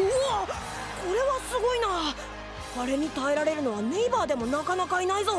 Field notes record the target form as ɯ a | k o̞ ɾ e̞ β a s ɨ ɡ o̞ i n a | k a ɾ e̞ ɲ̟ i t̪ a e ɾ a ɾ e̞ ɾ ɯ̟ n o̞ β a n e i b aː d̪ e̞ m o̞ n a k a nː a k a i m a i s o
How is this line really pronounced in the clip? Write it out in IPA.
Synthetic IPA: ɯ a | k o̞ ɾ e̞ β a s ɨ ɡ o̞ i n a | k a ɾ e̞ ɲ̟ i t̪ a e ɾ a ɾ e̞ ɾ ɯ̟ n o̞ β a n e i b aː d̪ e̞ m o̞ n a k a n a k a i n a i z o